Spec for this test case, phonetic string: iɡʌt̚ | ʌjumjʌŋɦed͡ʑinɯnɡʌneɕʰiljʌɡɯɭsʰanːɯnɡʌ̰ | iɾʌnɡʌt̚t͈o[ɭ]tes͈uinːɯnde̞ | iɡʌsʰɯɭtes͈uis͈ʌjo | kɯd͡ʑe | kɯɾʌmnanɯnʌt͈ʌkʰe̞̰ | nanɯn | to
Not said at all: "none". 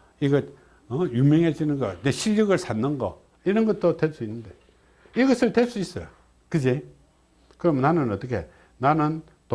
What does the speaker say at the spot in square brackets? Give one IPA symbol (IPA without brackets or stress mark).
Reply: none